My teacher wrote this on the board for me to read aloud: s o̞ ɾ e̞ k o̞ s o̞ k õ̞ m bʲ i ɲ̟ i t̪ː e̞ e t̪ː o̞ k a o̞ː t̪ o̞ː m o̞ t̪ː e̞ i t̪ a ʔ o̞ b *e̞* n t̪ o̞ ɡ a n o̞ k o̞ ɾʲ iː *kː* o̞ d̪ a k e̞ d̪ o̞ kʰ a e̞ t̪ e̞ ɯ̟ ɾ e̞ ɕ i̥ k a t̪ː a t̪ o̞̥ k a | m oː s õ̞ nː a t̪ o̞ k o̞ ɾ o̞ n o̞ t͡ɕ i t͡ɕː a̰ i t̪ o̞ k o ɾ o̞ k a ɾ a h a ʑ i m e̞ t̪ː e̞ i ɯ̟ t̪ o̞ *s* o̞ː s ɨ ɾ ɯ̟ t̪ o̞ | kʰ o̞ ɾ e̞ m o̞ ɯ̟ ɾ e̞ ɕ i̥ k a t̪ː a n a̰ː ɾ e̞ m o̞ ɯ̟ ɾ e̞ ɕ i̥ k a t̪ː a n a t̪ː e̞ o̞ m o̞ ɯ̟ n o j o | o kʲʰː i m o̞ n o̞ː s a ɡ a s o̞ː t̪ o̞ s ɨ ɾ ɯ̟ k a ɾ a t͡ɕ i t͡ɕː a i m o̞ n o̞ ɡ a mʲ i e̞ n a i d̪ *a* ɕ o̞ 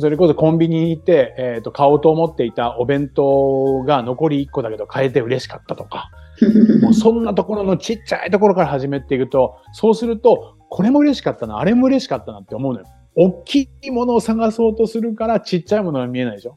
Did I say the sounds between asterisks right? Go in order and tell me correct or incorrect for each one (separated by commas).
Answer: incorrect, correct, correct, incorrect